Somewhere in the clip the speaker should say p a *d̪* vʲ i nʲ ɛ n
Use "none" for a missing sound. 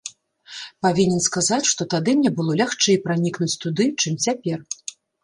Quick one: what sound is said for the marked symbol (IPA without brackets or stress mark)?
none